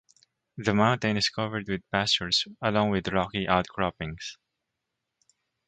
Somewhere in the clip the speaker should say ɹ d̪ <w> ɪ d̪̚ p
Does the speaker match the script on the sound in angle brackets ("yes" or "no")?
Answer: yes